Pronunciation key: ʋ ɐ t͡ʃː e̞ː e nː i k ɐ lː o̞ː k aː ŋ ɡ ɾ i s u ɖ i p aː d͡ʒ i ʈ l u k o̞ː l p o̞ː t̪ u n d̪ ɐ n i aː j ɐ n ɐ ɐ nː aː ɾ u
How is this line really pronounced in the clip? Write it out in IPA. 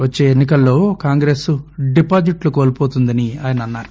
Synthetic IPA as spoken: ʋ ɐ t͡ʃː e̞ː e nː i k ɐ lː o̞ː k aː ŋ ɡ ɾ e s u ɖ i p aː d͡ʒ i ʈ l u k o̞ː l p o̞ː t̪ u n d̪ ɐ n i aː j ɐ n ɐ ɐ nː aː ɾ u

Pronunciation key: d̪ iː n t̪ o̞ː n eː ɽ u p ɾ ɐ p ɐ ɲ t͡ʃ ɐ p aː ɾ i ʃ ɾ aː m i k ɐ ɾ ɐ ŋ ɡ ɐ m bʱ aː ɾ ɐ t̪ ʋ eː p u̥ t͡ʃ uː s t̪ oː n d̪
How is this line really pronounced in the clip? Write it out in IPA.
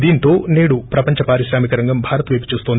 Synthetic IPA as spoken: d̪ iː n t̪ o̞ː n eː ɽ u p ɾ ɐ p ɐ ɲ t͡ʃ ɐ p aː ɾ i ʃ ɾ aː m i k ɐ ɾ ɐ ŋ ɡ ɐ m bʱ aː ɾ ɐ t̪ ʋ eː p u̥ t͡ʃ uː s t̪ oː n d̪

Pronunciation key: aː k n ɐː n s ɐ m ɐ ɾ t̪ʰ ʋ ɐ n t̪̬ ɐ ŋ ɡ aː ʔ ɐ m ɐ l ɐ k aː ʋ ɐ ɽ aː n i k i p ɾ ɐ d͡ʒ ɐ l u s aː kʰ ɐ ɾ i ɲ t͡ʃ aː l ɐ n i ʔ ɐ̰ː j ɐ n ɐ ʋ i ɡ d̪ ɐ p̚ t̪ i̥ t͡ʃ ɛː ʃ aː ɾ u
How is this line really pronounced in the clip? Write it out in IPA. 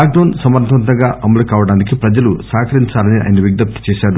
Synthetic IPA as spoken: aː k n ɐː n s ɐ m ɐ ɾ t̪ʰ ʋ ɐ n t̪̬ ɐ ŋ ɡ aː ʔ ɐ m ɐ l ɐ k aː ʋ ɐ ɽ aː n i k i p ɾ ɐ d͡ʒ ɐ l u s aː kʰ ɐ ɾ i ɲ t͡ʃ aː l ɐ n i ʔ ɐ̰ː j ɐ n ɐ ʋ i ɡ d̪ ɐ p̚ t̪ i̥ t͡ʃ ɛː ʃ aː ɾ u

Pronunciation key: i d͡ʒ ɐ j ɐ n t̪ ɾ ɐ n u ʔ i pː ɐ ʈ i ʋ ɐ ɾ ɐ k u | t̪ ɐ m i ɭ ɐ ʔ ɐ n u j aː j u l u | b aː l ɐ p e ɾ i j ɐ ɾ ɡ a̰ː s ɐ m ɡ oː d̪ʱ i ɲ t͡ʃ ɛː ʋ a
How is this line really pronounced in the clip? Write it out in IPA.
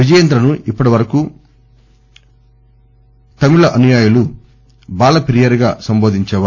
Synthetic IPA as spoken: i d͡ʒ ɐ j ɐ n d̪ ɾ ɐ n u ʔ i pː ɐ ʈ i ʋ ɐ ɾ ɐ k u | t̪ ɐ m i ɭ ɐ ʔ ɐ n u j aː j u l u | b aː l ɐ p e ɾ i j ɐ ɾ ɡ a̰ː s ɐ m b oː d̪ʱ i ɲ t͡ʃ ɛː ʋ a

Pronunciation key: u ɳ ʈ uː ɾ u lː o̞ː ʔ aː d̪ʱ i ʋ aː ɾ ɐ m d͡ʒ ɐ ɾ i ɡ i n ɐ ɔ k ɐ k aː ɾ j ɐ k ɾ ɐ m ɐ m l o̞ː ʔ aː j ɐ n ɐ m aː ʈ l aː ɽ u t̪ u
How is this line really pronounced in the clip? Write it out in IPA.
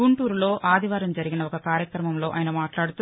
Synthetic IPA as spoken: u ɳ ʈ uː ɾ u l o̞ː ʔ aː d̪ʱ i ʋ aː ɾ ɐ m d͡ʒ ɐ ɾ i ɡ i n ɐ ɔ k ɐ k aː ɾ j ɐ k ɾ ɐ m ɐ m l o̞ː ʔ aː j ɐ n ɐ m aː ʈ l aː ɽ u t̪ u

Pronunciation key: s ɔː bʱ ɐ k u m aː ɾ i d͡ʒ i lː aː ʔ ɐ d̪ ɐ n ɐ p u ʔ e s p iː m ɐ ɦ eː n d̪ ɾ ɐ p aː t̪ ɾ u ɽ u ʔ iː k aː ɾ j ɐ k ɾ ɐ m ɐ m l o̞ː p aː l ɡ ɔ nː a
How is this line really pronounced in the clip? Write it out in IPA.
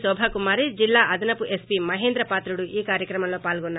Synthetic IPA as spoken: s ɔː bʱ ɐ k u m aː ɾ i d͡ʒ i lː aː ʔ ɐ d̪ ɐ n ɐ p u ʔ e s p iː m ɐ ɦ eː n d̪ ɾ ɐ p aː t̪ ɾ u ɽ u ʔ iː k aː ɾ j ɐ k ɾ ɐ m ɐ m l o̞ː p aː l ɡ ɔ nː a

